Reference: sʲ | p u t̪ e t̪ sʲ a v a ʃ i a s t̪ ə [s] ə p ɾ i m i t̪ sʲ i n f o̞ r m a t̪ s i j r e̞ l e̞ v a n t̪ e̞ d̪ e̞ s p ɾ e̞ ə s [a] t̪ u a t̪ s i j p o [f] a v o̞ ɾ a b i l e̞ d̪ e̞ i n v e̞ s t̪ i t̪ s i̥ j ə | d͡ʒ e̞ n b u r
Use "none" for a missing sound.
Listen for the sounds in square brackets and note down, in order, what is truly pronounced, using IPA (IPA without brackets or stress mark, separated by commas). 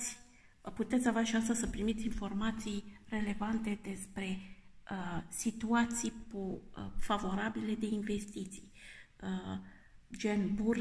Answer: s, i, f